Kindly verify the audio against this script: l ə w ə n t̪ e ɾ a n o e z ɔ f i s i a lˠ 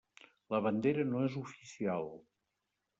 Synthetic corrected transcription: l ə β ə n d̪ e ɾ ə n o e z u f i s i a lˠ

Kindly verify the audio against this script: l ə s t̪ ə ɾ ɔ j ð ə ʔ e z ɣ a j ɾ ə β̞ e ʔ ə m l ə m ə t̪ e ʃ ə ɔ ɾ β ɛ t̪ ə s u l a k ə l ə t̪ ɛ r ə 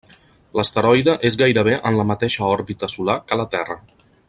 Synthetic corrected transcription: l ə s t̪ ə ɾ ɔ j ð ə ʔ e z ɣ a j ɾ ə β̞ e ʔ ə n l ə m ə t̪ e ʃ ə ɔ ɾ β i t̪ ə s u l a k ə l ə t̪ ɛ r ə

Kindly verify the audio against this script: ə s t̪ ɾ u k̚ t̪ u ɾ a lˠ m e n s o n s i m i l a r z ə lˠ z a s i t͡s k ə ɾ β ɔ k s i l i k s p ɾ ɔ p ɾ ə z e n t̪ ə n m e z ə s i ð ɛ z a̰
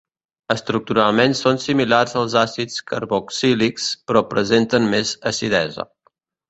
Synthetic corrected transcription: ə s t̪ ɾ u k̚ t̪ u ɾ a lˠ m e n s o n s i m i l a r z ə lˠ z a s i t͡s k ə ɾ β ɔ k s i l i k s p ɾ ɔ p ɾ ə z e n t̪ ə n m e z ə s i ð ɛ z ə̰

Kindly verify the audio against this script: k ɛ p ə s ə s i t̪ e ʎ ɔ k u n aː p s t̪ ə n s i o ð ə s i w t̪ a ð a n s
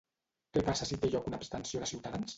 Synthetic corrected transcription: k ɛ p a s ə s i t̪ e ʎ ɔ k u n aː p s t̪ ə n s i o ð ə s i w t̪ a ð a n s

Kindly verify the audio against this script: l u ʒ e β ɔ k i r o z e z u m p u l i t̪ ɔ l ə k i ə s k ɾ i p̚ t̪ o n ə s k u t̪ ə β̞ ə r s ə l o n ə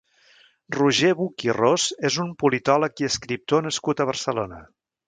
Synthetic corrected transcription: r u ʒ e β u k i r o z e z u m p u l i t̪ ɔ l ə k i ə s k ɾ i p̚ t̪ o n ə s k u t̪ ə β̞ ə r s ə l o n ə

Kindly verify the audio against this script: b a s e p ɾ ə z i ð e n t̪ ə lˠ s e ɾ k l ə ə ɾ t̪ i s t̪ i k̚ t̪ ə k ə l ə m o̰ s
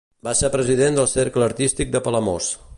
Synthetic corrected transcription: b a s e p ɾ ə z i ð e n d̪ ə lˠ s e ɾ k l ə ə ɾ t̪ i s t̪ i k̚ d̪ ə p ə l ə m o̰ s

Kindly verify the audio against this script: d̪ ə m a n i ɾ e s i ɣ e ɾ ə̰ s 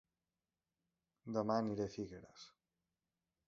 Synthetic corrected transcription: d̪ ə m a n i ɾ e f i ɣ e ɾ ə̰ s

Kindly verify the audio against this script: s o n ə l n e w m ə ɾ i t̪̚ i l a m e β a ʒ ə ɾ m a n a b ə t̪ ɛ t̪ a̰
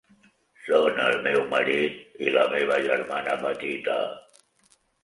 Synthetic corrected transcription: s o n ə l m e w m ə ɾ i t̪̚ i l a m e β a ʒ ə ɾ m a n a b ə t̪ i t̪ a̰

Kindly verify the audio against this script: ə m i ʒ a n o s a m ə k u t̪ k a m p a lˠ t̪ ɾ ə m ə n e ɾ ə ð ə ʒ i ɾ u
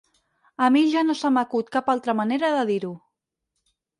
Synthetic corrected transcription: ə m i ʒ a n o s a m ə k u t̪ k a p a lˠ t̪ ɾ ə m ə n e ɾ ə ð ə ð i ɾ u

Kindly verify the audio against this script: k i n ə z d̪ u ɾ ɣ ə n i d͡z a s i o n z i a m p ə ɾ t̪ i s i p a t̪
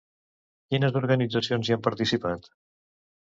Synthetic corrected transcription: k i n ə z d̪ u ɾ ɣ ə n i d͡z ə s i o n z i a m p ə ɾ t̪ i s i p a t̪

